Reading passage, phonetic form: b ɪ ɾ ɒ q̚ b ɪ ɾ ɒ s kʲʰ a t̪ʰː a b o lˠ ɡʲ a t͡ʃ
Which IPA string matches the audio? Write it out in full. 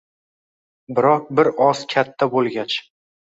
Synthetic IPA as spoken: b ɪ ɾ ɒ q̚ b ɪ ɾ ɒ s kʲʰ a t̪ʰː a b o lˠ ɡʲ a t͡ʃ